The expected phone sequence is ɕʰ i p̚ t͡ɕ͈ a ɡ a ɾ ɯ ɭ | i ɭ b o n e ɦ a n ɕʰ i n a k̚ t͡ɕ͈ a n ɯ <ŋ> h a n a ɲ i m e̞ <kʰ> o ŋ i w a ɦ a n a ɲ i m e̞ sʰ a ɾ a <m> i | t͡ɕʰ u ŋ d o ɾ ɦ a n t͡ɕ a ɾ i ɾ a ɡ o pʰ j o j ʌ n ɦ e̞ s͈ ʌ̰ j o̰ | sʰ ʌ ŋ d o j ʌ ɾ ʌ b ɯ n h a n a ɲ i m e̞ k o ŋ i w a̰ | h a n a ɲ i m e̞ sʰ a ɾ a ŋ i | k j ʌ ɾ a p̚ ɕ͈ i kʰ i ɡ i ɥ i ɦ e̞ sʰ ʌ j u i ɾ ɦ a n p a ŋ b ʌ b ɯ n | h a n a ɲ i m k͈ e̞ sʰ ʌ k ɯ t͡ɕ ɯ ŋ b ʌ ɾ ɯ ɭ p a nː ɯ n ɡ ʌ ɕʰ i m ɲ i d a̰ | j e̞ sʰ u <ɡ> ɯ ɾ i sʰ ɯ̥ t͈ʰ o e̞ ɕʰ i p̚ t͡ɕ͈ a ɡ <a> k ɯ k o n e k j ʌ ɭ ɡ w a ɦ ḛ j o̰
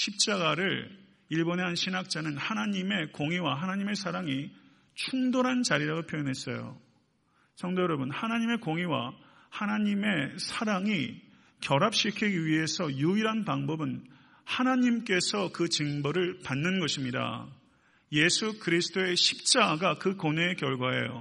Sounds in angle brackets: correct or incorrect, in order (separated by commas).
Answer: incorrect, incorrect, incorrect, incorrect, correct